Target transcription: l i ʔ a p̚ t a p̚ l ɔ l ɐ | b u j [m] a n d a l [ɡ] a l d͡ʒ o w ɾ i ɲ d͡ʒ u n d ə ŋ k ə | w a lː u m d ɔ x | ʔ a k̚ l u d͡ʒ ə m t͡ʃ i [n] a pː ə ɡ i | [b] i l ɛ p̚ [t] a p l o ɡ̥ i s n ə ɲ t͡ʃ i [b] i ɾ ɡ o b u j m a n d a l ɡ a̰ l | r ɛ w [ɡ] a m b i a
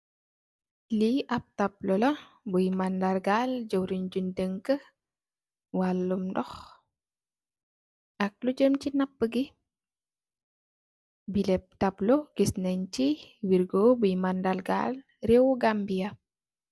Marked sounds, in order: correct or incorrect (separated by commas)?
correct, correct, correct, correct, correct, incorrect, correct